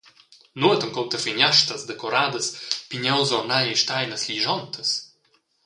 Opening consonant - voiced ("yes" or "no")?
yes